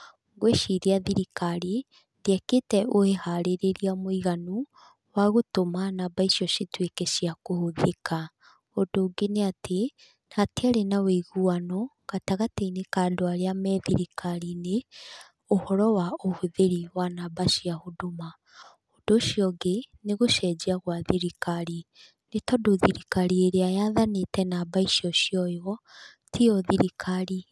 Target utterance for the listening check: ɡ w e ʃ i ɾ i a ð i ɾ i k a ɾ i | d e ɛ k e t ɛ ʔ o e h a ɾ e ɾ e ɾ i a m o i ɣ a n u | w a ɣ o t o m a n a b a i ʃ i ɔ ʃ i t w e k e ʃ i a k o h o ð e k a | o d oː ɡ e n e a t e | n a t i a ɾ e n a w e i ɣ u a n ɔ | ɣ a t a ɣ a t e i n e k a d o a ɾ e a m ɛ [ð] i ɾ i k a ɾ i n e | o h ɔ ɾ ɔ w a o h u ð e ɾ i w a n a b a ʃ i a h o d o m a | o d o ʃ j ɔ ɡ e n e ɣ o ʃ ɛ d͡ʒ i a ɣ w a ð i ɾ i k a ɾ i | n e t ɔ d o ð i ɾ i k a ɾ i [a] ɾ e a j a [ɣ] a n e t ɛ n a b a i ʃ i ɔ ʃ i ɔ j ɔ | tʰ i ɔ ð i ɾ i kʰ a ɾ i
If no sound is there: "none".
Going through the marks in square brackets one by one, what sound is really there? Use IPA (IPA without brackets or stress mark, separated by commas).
ð, e, ð